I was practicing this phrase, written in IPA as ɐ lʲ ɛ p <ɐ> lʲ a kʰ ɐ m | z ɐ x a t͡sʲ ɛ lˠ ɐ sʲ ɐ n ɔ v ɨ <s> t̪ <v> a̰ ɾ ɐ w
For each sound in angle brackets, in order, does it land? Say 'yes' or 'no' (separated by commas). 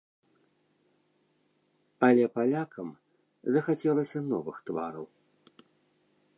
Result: no, no, yes